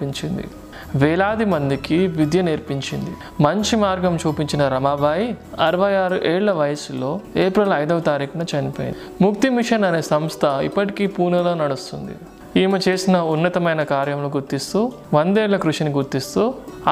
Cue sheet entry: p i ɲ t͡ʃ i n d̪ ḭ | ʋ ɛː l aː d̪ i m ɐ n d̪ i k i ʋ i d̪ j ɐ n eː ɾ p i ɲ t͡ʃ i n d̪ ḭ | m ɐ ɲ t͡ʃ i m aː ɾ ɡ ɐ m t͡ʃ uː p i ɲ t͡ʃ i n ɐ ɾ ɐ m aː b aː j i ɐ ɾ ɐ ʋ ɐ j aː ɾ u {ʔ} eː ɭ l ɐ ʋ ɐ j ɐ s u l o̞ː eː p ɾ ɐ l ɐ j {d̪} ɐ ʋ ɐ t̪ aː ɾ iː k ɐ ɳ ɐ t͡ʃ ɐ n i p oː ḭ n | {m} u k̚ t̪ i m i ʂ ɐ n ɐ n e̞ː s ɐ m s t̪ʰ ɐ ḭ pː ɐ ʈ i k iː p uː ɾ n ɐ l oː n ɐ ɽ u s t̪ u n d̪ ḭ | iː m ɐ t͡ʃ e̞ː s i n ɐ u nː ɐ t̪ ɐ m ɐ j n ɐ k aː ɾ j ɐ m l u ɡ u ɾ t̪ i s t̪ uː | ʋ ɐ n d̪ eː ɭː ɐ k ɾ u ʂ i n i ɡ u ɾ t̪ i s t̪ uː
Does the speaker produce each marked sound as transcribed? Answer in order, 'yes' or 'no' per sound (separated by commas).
yes, yes, yes